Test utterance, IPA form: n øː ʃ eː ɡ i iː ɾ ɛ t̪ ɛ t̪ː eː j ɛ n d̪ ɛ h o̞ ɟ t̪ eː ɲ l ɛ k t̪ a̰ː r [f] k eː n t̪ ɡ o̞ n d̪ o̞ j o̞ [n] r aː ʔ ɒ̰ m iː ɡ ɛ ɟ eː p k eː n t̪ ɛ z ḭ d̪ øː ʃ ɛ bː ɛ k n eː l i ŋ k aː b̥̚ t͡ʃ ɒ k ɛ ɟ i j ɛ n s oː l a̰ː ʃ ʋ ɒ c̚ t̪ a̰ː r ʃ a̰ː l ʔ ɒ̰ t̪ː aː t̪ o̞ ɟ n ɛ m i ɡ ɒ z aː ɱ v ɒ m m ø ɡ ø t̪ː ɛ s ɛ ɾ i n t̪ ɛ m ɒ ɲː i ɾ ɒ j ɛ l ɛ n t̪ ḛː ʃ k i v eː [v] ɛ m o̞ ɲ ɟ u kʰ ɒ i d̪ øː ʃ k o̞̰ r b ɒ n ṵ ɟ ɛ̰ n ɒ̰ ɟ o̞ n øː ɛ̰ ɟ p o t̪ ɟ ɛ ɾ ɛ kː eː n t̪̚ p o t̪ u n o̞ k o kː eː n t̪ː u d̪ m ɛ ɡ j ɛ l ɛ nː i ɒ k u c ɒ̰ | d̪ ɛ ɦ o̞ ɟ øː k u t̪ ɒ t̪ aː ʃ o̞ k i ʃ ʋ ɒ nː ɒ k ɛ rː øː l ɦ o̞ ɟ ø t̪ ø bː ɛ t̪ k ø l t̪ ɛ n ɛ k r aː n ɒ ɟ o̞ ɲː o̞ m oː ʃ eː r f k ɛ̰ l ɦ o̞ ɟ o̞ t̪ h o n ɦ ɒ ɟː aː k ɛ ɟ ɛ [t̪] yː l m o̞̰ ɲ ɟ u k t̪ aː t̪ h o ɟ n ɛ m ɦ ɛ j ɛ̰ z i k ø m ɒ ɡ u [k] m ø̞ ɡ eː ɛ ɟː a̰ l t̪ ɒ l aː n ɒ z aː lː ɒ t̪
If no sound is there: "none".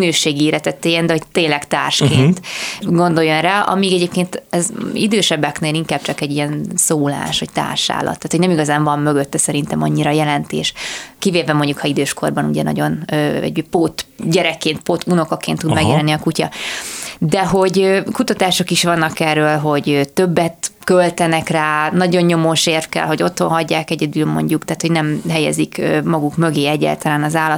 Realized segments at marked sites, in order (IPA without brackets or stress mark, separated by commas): ʃ, n, v, d̪, k